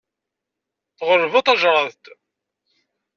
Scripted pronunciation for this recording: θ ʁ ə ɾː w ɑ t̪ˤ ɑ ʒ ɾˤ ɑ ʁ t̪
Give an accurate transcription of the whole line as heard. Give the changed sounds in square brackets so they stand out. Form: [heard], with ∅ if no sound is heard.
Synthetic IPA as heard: θ ʁ ə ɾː [v] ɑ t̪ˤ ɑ ʒ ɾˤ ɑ [ð] t̪